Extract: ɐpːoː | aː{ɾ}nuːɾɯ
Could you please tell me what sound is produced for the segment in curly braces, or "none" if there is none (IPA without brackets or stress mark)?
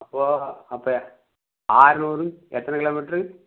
ɾ